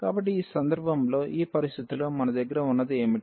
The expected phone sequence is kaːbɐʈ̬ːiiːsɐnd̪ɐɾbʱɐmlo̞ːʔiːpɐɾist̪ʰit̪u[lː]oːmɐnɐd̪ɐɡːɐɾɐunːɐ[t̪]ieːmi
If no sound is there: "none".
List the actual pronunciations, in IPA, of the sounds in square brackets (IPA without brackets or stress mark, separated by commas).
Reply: l, d̪